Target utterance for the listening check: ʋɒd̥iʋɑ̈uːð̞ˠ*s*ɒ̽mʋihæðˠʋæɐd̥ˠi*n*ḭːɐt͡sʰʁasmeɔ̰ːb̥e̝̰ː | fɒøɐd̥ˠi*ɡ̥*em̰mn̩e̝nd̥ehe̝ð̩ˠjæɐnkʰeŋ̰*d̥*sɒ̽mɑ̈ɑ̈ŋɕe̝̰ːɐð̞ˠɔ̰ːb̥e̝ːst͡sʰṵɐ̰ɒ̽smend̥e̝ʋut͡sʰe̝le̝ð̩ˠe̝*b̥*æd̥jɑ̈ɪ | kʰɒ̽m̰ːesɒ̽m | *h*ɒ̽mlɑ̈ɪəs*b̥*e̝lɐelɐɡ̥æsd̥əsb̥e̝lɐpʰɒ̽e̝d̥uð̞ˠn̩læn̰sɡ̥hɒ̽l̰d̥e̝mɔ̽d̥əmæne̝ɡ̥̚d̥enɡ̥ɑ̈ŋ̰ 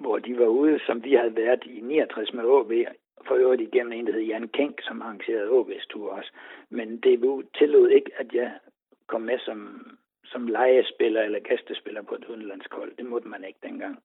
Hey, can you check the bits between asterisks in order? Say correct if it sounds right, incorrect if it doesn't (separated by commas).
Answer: correct, correct, correct, incorrect, incorrect, incorrect, correct